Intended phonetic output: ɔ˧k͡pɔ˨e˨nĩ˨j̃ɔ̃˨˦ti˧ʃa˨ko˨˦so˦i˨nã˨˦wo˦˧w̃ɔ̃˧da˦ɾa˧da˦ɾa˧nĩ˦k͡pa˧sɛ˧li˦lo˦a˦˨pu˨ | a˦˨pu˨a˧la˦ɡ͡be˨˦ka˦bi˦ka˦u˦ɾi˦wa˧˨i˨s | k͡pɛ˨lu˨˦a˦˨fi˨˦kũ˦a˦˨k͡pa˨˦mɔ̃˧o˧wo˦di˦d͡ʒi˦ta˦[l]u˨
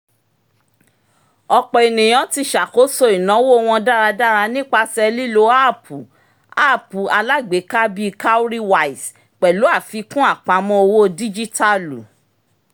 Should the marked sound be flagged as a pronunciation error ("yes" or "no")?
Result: no